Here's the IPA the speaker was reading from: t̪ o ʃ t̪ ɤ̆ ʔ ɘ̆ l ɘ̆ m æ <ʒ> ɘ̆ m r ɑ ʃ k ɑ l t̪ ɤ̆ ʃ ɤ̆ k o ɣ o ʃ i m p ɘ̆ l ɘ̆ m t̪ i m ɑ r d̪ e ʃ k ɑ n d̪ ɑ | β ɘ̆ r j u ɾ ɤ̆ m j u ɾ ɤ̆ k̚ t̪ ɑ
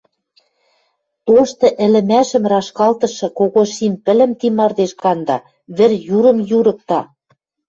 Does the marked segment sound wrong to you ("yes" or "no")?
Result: yes